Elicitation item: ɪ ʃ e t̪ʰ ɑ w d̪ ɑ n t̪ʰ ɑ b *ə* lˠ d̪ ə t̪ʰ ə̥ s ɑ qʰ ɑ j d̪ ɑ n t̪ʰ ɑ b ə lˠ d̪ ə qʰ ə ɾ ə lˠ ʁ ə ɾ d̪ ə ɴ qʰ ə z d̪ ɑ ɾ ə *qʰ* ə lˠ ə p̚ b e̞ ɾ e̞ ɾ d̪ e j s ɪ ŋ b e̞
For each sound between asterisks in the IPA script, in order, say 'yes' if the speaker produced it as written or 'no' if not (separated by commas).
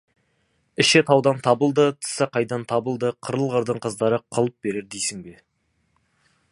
yes, yes